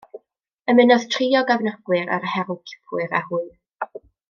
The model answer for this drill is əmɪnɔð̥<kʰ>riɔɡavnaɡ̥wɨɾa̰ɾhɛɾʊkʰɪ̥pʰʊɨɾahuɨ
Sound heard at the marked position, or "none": tʰ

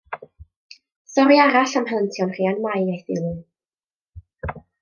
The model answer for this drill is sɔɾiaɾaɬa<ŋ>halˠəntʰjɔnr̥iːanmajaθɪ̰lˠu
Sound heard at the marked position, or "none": m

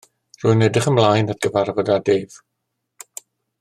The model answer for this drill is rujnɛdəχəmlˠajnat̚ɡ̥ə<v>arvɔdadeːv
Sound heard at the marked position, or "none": v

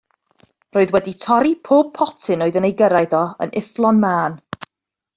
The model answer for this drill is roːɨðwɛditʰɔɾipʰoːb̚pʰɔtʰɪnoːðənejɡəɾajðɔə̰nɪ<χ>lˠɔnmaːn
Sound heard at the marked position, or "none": f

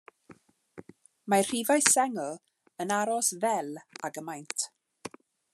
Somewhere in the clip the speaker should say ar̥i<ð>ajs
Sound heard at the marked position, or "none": v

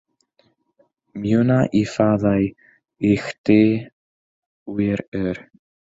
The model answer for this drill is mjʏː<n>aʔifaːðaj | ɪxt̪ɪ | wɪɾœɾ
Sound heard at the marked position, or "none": n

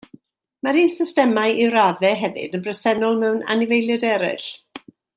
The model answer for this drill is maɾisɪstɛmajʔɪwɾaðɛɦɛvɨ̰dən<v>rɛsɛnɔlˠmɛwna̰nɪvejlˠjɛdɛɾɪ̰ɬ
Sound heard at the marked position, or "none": b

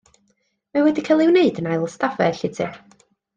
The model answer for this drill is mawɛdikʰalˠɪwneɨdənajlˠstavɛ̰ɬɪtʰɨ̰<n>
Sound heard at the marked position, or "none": none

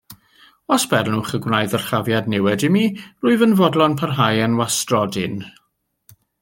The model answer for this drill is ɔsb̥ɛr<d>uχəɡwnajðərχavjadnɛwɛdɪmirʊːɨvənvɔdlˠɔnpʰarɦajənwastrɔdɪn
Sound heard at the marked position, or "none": n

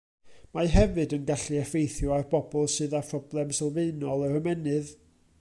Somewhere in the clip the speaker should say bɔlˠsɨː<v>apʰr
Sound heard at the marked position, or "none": ð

